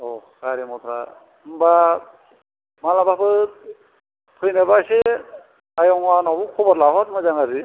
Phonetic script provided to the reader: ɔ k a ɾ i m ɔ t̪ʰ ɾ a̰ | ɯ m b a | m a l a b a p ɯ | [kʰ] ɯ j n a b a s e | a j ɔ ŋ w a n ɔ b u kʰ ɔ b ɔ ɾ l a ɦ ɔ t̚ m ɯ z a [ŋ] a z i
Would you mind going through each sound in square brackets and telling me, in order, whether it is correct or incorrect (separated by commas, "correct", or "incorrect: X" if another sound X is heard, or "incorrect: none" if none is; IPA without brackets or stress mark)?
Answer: incorrect: pʰ, correct